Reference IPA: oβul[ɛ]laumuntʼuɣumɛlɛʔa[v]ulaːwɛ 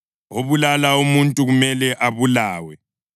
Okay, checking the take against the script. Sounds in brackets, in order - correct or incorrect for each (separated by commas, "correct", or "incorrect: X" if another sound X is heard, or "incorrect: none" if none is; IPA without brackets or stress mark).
incorrect: a, incorrect: β